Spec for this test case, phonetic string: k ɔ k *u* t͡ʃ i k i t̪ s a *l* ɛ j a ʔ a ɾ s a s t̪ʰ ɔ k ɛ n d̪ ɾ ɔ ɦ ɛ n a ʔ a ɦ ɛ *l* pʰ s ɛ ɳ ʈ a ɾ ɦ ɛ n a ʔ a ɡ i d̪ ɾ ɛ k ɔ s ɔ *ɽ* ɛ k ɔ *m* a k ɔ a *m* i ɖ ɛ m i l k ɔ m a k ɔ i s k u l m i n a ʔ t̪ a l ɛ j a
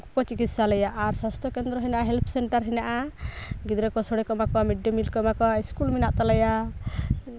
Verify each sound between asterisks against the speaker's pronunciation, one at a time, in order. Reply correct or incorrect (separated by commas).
incorrect, correct, correct, correct, correct, correct